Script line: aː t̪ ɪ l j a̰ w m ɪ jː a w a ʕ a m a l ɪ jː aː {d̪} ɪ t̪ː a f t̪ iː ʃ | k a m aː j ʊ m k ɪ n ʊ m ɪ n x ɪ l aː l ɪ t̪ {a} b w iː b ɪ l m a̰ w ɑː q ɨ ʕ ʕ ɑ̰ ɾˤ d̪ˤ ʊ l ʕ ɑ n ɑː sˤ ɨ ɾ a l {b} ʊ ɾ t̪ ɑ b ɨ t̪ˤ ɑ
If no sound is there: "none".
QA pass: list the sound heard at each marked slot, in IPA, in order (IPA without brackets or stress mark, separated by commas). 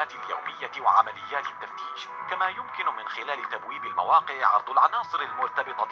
t̪, a, m